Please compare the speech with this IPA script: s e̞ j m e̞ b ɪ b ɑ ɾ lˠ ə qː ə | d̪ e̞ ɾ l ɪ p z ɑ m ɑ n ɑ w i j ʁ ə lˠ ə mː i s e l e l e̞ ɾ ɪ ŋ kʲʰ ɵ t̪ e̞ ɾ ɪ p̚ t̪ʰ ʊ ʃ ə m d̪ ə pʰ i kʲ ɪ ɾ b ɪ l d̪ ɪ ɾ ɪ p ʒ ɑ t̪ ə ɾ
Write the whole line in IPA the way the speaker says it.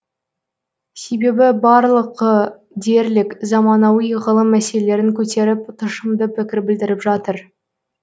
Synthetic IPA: s e̞ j b e̞ b ɪ b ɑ ɾ lˠ ə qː ə | d̪ e̞ ɾ l ɪ k z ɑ m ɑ n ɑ w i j ʁ ə lˠ ə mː æ s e l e l e̞ ɾ ɪ ŋ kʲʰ ɵ t̪ e̞ ɾ ɪ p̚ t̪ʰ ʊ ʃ ə m d̪ ə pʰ ɪ kʲ ɪ ɾ b ɪ l d̪ ɪ ɾ ɪ p ʒ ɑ t̪ ə ɾ